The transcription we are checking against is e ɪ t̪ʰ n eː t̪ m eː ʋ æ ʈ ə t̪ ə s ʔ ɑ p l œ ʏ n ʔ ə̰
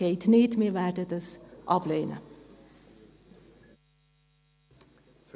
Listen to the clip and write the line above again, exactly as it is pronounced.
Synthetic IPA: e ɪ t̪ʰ n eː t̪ m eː ʋ æ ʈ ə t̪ ə s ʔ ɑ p l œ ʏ n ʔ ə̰